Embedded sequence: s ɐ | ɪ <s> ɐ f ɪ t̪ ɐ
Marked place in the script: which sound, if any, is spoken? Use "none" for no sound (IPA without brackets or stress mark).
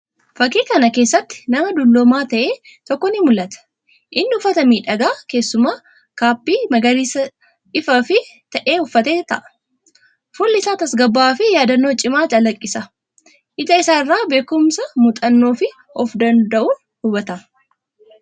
f